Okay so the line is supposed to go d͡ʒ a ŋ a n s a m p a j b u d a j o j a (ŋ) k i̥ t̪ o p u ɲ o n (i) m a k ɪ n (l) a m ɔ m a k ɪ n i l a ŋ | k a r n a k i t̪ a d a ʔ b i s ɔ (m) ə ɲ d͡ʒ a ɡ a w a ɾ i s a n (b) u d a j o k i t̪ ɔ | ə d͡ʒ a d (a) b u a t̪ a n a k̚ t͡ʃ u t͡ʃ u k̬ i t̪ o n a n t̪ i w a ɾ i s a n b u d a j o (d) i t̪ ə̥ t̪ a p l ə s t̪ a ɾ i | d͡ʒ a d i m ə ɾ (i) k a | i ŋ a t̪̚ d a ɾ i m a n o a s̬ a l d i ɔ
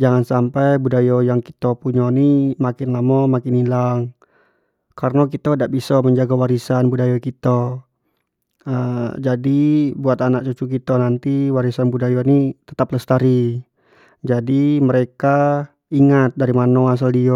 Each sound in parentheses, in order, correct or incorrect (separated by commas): correct, correct, correct, correct, correct, incorrect, incorrect, incorrect